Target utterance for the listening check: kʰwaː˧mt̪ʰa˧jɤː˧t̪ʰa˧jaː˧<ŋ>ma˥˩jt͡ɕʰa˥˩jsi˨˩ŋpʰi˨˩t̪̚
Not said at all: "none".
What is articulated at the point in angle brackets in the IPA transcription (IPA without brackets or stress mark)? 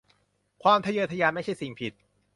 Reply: n